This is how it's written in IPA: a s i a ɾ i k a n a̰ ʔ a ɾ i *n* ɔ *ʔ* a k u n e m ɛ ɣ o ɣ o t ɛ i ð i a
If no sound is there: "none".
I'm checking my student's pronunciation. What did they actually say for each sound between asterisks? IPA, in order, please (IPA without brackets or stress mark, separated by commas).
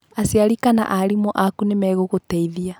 m, ʔ